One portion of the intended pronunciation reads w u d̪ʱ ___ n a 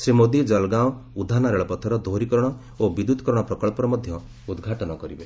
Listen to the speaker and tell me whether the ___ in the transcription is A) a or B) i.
A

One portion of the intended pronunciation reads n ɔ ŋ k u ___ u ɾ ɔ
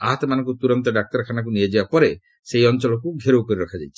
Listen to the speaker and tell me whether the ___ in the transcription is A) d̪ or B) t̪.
B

